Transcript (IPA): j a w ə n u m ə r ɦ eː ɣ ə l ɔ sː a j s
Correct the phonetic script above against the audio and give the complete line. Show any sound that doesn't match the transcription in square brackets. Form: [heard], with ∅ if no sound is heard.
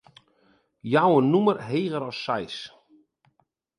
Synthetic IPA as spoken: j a w ə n u m ə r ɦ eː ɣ ə [ɾ] ɔ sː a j s